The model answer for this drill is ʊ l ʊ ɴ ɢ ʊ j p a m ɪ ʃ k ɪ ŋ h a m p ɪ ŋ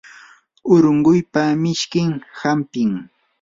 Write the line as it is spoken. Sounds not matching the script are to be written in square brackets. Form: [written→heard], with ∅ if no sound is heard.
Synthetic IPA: ʊ [l→ɾ] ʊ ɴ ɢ ʊ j p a m ɪ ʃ k ɪ ŋ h a m p ɪ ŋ